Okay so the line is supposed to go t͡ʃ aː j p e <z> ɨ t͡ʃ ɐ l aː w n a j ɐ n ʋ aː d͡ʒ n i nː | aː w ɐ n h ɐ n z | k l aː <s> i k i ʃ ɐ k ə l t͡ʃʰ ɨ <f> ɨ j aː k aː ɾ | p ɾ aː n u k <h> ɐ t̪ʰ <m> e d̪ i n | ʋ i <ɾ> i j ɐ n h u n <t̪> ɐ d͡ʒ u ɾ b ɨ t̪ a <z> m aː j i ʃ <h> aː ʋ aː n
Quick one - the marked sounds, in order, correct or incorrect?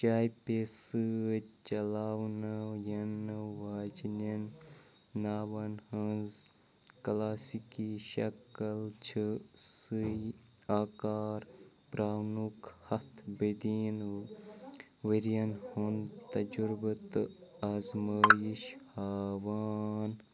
incorrect, correct, incorrect, correct, incorrect, correct, correct, correct, correct

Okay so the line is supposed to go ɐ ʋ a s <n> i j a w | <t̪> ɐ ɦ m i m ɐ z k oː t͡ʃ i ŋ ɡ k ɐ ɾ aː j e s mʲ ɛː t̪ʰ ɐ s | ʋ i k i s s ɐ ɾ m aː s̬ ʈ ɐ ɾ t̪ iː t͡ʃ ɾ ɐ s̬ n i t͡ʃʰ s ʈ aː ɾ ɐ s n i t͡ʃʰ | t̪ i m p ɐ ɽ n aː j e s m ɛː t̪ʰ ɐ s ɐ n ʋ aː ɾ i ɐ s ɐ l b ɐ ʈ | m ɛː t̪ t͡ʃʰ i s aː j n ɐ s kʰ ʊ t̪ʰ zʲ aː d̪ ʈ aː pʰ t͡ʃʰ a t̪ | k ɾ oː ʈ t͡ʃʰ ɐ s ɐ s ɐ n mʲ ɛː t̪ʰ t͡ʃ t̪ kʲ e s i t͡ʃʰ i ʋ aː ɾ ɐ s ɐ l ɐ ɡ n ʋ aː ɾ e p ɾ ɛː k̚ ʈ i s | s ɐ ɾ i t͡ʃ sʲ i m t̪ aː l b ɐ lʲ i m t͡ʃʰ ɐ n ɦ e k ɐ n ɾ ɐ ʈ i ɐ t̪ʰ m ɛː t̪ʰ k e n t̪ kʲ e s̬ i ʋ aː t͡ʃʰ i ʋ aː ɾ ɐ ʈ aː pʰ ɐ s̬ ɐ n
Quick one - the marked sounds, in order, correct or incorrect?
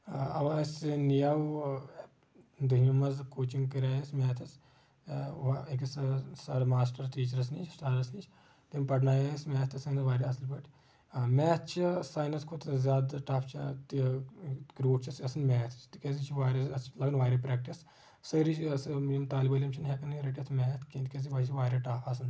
correct, incorrect

